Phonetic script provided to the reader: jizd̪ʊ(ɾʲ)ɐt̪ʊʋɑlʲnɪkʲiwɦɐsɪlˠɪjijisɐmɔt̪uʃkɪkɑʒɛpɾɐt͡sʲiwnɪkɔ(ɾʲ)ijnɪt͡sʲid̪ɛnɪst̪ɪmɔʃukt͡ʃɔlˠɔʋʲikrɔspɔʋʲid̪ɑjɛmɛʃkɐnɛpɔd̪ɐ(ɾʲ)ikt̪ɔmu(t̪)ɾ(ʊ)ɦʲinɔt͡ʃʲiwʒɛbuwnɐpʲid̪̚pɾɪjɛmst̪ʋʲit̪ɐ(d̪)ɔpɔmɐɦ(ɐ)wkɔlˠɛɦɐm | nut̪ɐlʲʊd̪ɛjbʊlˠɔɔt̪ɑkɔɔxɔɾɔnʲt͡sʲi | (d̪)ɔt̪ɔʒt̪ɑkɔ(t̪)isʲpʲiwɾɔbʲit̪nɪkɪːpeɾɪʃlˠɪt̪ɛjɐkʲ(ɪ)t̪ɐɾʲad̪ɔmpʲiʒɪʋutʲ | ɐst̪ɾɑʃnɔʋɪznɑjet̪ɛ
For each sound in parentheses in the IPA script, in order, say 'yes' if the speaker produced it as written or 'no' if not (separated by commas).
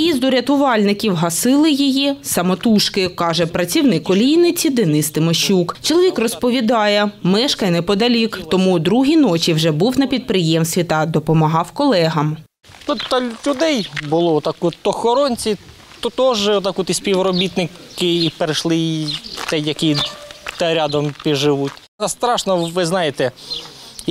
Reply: yes, no, no, no, no, yes, no, no, yes, no